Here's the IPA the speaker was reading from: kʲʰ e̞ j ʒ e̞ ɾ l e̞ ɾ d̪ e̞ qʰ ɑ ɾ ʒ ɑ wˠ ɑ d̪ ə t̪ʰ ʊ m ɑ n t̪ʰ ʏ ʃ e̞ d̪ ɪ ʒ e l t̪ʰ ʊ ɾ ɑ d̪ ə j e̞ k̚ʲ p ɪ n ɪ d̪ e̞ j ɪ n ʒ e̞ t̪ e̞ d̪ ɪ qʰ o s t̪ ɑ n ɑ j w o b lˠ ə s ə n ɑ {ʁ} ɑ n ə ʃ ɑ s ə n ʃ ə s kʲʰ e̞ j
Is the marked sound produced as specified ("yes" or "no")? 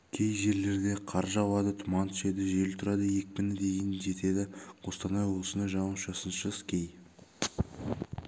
no